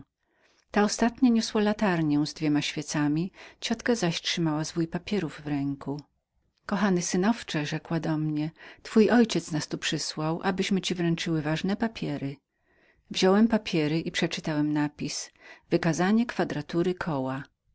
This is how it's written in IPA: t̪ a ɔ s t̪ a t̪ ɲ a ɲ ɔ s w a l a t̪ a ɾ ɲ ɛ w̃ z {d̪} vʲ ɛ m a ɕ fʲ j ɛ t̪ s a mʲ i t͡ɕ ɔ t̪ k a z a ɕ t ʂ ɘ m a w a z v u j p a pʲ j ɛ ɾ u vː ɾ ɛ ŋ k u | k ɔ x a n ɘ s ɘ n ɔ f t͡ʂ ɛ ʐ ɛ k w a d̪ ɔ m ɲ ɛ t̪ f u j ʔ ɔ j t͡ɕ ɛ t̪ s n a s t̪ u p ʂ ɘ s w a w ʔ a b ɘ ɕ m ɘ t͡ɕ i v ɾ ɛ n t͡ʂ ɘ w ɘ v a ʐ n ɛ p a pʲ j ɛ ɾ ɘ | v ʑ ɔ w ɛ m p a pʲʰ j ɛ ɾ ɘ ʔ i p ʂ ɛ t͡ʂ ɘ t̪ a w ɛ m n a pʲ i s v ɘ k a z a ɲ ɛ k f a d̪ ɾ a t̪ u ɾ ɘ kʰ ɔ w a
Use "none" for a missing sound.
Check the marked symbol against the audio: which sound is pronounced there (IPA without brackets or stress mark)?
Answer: d̪